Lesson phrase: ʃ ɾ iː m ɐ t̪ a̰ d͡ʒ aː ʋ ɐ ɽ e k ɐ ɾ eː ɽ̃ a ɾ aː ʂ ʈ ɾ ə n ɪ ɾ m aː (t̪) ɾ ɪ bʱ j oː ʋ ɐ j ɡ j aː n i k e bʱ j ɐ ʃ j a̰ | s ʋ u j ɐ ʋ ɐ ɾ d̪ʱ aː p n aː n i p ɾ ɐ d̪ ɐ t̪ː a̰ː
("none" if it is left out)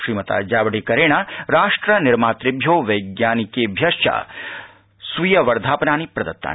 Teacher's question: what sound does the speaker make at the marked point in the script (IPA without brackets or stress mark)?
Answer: t̪